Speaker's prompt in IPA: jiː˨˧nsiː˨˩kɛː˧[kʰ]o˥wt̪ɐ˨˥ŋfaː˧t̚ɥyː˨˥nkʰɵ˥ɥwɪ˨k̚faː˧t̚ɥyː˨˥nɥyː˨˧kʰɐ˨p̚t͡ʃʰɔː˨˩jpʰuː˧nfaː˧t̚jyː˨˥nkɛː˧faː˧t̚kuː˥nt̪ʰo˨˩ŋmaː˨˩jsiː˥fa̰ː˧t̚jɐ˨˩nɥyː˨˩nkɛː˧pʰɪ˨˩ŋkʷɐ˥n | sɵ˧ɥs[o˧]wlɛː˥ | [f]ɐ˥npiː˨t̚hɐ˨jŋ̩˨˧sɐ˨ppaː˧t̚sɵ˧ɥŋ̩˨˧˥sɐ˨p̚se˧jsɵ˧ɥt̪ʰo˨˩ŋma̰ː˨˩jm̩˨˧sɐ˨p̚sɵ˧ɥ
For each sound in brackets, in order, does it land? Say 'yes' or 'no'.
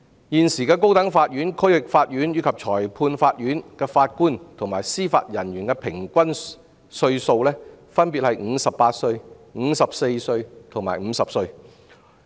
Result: no, yes, yes

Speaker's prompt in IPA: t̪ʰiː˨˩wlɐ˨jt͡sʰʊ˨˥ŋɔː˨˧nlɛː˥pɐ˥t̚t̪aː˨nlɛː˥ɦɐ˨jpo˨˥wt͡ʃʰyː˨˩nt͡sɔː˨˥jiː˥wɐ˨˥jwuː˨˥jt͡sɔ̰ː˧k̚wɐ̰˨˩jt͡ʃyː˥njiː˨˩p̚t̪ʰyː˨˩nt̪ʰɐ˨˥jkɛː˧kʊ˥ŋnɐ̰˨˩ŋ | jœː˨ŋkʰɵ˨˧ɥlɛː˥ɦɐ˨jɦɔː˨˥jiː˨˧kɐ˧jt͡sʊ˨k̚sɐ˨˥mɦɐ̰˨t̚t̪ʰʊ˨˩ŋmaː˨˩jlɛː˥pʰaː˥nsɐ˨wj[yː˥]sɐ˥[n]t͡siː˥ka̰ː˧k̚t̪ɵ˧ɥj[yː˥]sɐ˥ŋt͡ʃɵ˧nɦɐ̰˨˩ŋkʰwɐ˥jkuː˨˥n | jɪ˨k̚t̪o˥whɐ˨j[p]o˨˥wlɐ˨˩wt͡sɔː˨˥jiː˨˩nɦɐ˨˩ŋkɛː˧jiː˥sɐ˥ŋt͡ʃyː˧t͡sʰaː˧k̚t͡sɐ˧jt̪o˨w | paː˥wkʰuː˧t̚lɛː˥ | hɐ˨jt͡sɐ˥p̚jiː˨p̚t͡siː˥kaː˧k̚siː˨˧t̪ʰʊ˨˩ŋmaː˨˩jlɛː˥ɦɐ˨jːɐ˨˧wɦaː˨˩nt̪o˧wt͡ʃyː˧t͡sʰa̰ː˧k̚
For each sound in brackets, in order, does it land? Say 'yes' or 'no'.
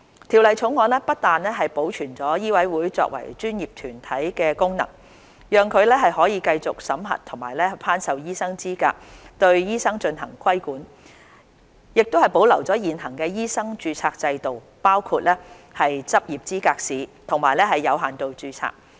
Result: no, no, no, yes

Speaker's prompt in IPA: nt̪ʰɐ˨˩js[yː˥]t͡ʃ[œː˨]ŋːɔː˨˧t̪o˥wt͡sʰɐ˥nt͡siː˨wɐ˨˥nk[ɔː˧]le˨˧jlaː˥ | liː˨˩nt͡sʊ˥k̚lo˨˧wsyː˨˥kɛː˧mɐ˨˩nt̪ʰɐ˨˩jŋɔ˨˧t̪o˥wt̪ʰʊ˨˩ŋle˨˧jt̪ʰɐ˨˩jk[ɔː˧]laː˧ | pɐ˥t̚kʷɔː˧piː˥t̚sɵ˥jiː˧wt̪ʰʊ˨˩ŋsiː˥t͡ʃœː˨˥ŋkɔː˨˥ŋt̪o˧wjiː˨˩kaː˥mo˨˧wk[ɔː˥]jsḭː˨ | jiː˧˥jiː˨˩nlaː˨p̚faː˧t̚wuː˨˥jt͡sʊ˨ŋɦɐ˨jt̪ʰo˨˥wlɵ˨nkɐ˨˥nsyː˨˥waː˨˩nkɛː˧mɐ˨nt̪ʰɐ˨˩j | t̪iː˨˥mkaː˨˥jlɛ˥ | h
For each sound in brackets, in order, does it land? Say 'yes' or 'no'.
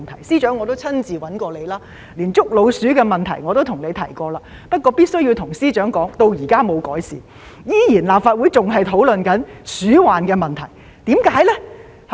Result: no, no, yes, yes, no

